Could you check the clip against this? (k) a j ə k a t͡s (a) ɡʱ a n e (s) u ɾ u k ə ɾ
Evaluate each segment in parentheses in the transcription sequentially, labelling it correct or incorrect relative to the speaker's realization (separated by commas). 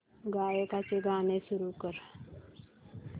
incorrect, incorrect, correct